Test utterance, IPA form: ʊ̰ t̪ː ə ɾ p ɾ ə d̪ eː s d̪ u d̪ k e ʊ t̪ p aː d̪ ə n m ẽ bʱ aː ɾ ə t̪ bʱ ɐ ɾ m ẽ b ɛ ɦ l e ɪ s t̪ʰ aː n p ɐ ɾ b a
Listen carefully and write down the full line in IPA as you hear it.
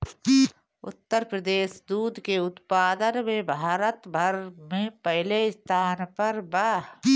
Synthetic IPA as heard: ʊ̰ t̪ː ə ɾ p ɾ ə d̪ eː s d̪ uː d̪ k e ʊ t̪ p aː d̪ ə n m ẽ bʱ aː ɾ ə t̪ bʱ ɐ ɾ m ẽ p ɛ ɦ l e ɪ s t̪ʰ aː n p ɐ ɾ b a